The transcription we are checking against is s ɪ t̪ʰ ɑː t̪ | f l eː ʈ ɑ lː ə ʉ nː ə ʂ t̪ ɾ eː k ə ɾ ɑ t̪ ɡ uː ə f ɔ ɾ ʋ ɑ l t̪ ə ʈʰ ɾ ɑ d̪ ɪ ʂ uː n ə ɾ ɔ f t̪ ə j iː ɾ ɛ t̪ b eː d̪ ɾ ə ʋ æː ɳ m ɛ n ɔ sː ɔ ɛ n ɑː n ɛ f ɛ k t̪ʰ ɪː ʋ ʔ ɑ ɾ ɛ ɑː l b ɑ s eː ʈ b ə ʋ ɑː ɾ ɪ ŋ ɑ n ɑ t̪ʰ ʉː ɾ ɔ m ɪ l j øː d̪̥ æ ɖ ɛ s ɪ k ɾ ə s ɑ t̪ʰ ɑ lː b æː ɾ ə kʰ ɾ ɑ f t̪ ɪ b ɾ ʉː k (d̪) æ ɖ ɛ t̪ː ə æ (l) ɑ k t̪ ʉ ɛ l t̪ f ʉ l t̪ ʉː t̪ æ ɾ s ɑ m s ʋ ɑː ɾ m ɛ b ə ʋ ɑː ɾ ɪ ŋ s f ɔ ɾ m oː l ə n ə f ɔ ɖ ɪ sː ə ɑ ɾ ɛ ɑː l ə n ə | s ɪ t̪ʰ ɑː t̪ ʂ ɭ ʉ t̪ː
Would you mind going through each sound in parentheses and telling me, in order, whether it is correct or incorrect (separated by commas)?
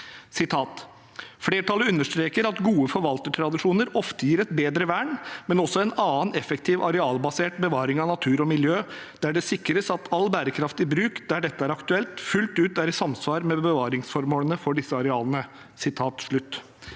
correct, incorrect